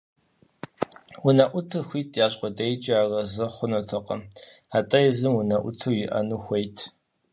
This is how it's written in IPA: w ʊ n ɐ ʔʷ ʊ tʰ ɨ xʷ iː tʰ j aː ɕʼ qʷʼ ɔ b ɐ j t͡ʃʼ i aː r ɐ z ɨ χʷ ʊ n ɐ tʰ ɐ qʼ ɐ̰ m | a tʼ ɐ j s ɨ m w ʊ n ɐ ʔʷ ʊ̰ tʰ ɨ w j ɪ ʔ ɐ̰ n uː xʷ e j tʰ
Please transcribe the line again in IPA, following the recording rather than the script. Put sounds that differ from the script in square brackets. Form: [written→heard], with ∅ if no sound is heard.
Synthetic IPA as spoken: w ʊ n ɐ ʔʷ ʊ tʰ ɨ xʷ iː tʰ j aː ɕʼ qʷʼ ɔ [b→d] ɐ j t͡ʃʼ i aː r ɐ z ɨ χʷ ʊ n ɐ tʰ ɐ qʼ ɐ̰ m | a tʼ ɐ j [s→z] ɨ m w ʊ n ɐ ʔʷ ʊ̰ tʰ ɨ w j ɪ ʔ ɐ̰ n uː xʷ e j tʰ